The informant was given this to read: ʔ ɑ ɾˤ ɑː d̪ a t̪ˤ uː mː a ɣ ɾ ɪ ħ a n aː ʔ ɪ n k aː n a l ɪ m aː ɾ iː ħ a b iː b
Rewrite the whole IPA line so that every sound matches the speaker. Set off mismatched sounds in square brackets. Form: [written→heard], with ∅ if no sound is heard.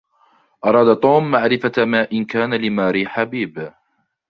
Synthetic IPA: ʔ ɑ ɾˤ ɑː d̪ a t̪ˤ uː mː a [ɣ→ʕ] ɾ ɪ [ħ→f] a [n→m] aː ʔ ɪ n k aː n a l ɪ m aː ɾ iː ħ a b iː b